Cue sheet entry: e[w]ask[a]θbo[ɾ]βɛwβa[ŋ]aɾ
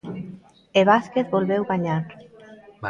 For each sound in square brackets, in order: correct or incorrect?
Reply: incorrect: β, incorrect: e, incorrect: l, incorrect: ɲ

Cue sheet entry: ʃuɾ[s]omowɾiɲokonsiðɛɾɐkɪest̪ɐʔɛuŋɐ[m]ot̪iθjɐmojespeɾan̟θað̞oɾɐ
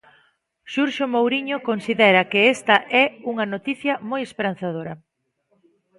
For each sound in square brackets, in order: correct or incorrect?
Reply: incorrect: ʃ, incorrect: n

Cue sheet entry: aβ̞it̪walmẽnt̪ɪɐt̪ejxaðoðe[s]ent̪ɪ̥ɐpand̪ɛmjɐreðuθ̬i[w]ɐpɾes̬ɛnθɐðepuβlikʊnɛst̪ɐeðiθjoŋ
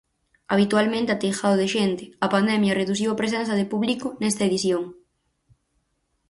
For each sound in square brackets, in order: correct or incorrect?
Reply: incorrect: ʃ, correct

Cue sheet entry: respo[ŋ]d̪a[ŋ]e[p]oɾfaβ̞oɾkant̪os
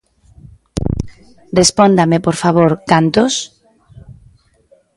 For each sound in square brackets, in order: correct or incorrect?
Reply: incorrect: n, incorrect: m, correct

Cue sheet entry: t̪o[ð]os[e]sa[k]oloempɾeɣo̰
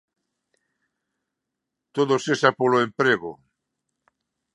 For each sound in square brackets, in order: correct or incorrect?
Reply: correct, correct, incorrect: p

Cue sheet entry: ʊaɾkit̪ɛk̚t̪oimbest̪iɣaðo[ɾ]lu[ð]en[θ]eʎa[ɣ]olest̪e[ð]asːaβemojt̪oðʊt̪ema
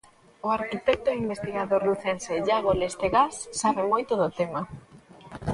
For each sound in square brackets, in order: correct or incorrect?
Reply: correct, incorrect: θ, incorrect: s, correct, incorrect: ɣ

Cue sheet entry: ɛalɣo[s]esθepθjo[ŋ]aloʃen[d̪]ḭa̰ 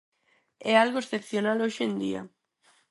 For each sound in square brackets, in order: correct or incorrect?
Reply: incorrect: none, incorrect: n, correct

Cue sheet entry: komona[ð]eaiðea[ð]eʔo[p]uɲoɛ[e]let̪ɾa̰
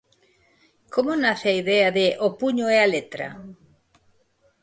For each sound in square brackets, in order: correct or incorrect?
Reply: incorrect: θ, correct, correct, incorrect: a

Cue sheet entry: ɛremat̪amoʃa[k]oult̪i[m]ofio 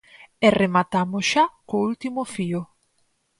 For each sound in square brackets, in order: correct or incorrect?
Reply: correct, correct

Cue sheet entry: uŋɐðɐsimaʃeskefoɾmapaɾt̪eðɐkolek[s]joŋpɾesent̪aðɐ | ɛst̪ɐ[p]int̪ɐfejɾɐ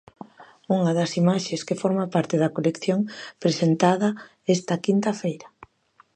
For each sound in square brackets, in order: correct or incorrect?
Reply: incorrect: θ, incorrect: k

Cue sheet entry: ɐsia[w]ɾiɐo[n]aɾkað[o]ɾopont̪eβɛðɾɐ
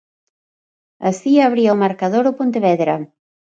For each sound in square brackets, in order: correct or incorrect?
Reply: incorrect: β, incorrect: m, correct

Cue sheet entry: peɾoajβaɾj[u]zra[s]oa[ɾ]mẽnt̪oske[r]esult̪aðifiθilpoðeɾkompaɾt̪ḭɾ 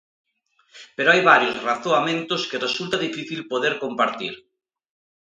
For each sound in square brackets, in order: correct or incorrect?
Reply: incorrect: o, incorrect: θ, incorrect: none, correct

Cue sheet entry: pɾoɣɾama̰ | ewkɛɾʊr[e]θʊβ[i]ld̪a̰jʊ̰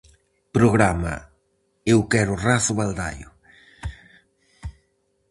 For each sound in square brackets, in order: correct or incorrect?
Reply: incorrect: a, incorrect: a

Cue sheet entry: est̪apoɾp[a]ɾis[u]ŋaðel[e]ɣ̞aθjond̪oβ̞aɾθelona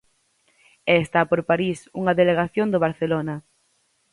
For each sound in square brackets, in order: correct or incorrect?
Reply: correct, correct, correct

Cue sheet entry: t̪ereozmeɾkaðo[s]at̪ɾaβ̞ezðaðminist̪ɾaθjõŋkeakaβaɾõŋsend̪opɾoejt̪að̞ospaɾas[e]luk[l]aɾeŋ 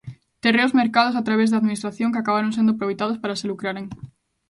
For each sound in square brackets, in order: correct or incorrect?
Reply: correct, correct, incorrect: ɾ

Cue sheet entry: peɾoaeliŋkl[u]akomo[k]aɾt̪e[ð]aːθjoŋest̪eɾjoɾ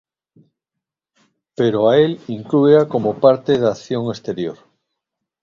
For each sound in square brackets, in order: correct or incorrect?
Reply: correct, incorrect: p, correct

